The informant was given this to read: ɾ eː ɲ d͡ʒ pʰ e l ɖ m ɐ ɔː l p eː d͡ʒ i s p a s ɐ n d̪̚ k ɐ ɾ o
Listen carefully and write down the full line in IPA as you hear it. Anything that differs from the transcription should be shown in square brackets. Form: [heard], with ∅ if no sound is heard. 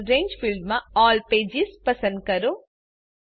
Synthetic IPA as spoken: ɾ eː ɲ d͡ʒ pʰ [i] l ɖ m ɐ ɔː l p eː d͡ʒ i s p [ɐ] s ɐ n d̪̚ k ɐ ɾ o